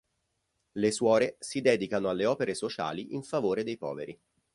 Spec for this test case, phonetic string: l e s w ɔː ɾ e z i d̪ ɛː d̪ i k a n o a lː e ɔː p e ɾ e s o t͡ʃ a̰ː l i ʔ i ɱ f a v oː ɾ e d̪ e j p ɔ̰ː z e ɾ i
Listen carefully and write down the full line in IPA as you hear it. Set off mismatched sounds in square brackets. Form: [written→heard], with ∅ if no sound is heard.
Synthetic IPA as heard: l e s w ɔː ɾ e [z→s] i d̪ ɛː d̪ i k a n o a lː e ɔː p e ɾ e s o t͡ʃ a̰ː l i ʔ i ɱ f a v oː ɾ e d̪ e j p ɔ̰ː [z→v] e ɾ i